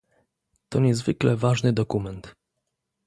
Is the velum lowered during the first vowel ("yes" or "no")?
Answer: no